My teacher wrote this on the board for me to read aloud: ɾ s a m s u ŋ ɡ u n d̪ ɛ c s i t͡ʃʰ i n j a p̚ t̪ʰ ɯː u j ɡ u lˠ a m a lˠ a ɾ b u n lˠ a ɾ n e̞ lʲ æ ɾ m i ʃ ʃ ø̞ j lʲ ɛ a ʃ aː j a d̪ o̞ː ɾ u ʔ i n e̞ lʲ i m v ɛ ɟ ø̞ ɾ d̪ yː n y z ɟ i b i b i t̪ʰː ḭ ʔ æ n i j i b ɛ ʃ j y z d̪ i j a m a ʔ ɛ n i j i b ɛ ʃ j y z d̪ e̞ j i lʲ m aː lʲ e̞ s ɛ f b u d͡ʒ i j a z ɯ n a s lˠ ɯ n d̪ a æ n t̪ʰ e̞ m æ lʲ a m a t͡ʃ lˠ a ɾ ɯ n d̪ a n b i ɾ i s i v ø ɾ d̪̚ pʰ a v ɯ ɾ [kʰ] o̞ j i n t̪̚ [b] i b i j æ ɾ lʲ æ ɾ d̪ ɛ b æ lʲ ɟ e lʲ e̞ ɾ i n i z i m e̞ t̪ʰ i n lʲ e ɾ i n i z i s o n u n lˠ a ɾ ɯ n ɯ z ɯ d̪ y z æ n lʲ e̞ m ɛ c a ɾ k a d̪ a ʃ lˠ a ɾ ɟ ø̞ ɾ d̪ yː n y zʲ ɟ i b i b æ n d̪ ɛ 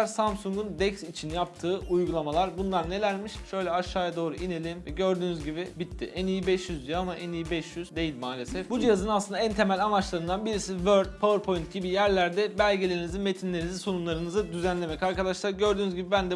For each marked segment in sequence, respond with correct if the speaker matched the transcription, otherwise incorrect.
incorrect: pʰ, incorrect: ɟ

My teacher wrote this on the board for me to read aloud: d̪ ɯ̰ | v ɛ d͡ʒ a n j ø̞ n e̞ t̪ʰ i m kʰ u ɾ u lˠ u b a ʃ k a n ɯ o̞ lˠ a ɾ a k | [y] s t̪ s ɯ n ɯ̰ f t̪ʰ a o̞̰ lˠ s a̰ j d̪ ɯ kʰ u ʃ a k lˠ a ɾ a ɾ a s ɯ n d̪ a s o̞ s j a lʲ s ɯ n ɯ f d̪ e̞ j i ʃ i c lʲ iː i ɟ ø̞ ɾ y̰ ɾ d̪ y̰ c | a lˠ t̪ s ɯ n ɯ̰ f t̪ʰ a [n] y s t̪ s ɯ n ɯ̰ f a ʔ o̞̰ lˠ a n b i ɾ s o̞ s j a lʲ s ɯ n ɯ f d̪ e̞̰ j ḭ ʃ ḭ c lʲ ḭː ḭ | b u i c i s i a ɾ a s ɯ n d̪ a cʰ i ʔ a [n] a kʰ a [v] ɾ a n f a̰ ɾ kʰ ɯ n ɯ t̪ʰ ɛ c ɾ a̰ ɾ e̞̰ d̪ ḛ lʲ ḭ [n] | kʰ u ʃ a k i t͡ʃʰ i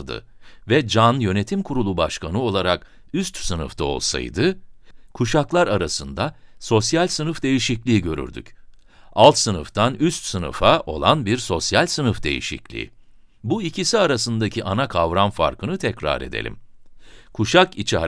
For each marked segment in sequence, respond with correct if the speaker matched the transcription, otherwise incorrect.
correct, correct, correct, correct, incorrect: m

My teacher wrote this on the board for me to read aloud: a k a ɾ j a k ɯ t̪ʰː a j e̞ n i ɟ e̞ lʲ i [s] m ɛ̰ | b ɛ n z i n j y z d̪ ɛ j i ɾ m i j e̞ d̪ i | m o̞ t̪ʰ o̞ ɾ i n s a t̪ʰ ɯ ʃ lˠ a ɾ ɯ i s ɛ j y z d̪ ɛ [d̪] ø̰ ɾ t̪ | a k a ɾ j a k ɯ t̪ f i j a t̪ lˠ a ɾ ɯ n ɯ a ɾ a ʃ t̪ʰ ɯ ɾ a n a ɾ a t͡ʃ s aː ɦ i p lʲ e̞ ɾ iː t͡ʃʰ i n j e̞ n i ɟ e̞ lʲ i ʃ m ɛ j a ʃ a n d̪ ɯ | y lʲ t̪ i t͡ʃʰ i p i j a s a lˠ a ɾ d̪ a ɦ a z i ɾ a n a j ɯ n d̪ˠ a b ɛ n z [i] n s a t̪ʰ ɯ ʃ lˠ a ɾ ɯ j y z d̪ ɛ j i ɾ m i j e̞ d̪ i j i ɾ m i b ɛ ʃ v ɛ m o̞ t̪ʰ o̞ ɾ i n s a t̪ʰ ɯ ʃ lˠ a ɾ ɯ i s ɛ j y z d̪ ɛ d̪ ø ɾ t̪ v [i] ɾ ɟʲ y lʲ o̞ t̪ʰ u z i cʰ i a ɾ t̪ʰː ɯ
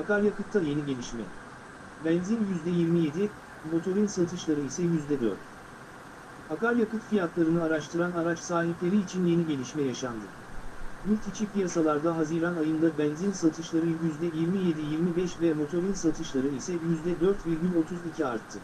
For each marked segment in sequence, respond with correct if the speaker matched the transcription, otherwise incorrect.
incorrect: ʃ, correct, correct, correct

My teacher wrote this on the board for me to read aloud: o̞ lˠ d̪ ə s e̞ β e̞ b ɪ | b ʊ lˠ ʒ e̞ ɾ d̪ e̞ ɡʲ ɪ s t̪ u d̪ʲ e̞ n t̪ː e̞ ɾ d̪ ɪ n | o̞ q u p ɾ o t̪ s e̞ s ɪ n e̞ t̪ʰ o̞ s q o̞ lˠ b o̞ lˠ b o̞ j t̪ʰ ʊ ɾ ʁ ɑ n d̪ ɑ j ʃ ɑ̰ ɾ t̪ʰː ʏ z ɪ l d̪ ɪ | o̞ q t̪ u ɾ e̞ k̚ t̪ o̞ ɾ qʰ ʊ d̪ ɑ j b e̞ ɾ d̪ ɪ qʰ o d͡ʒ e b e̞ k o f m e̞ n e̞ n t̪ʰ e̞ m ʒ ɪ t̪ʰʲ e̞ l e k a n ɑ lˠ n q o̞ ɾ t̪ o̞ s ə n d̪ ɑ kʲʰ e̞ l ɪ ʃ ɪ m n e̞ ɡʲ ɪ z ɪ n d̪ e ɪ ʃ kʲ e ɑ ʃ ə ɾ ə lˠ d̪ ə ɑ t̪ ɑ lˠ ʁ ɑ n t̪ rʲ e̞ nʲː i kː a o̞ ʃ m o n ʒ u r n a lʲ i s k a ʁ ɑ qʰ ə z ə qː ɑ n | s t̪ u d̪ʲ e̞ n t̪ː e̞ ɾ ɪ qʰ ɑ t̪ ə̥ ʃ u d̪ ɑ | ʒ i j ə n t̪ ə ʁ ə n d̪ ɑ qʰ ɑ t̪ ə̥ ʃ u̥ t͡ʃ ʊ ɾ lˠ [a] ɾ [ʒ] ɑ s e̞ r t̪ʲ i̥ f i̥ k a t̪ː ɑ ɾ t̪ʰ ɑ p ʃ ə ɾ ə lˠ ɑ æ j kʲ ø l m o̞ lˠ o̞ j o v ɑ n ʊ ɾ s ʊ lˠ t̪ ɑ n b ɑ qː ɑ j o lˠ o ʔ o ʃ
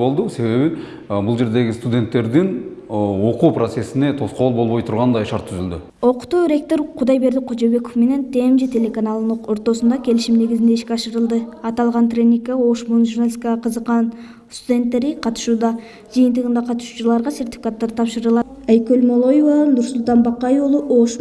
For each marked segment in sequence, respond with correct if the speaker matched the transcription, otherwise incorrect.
incorrect: ɑ, incorrect: ʁ

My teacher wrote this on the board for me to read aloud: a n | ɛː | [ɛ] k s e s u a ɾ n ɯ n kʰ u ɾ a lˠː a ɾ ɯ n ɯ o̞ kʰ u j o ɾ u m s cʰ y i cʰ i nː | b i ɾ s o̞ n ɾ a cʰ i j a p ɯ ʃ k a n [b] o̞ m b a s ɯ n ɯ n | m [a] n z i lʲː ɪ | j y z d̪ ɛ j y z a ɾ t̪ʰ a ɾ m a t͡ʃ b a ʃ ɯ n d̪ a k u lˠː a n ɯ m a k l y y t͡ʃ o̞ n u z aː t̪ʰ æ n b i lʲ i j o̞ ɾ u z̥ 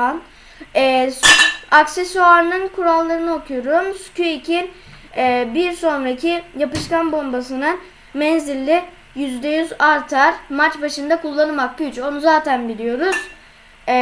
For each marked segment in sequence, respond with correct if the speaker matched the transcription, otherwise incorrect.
incorrect: a, correct, incorrect: ɛ

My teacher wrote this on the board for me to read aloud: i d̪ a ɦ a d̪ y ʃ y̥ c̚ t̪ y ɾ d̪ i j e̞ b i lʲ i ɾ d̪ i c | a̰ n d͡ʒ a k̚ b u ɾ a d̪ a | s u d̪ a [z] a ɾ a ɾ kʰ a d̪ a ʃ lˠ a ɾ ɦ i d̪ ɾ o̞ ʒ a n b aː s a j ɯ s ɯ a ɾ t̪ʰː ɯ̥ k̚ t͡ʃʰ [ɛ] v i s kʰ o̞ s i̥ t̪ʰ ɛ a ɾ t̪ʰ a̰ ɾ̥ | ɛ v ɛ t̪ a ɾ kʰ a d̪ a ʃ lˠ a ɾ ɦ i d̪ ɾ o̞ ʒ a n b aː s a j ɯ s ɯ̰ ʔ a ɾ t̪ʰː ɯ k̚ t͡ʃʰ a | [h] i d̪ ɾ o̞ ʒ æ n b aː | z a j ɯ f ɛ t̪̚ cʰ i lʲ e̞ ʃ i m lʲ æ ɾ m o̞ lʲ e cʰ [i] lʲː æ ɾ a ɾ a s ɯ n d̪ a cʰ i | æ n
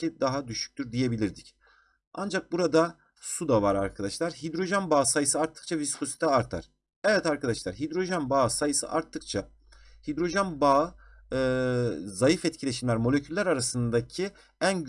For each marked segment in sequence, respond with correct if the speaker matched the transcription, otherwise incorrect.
incorrect: v, incorrect: a, correct, incorrect: y

